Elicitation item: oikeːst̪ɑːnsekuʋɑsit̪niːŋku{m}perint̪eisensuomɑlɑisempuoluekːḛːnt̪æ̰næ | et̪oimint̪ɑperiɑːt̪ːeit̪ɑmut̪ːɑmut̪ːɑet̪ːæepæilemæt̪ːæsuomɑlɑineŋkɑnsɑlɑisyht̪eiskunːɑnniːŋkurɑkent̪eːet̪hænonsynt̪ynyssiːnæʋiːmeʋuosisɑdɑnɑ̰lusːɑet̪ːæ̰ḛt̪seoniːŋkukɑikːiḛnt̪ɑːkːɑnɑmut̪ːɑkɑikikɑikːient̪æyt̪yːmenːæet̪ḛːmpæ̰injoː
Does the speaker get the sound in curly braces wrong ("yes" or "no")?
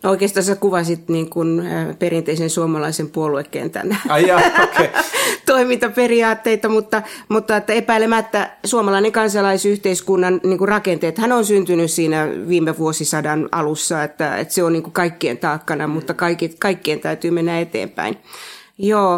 yes